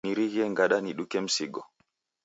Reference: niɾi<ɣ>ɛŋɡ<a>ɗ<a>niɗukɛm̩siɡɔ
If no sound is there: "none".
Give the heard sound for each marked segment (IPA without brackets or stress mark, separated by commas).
ɣ, a, a